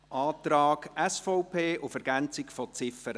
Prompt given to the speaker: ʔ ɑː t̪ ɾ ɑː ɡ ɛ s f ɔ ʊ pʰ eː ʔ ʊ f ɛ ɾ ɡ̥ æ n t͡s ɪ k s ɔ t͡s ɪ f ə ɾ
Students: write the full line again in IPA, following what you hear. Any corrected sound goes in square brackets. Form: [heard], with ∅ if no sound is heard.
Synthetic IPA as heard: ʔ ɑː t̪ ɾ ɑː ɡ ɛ s f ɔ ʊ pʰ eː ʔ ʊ f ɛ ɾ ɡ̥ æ n t͡s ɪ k [f] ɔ t͡s ɪ f ə ɾ